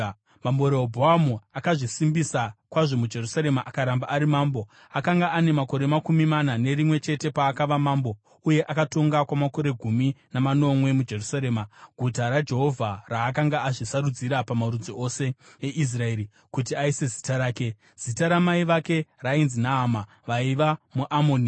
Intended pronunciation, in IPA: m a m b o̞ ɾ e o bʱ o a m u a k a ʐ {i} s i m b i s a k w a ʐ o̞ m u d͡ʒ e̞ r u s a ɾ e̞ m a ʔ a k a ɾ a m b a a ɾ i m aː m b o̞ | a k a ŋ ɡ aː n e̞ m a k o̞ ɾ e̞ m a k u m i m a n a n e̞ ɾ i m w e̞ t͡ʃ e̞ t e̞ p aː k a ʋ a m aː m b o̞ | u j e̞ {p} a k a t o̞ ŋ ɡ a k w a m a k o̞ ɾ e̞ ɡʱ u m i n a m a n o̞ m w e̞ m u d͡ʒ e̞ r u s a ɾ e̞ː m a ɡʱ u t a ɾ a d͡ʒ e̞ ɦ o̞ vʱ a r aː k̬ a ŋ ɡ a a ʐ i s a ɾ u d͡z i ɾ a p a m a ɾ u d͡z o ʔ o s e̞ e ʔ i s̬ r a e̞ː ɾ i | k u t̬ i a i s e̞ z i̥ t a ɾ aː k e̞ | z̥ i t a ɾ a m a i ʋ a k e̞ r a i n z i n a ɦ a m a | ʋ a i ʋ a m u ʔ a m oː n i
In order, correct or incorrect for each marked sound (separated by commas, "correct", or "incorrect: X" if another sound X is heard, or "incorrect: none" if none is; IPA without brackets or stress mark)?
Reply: correct, incorrect: ʔ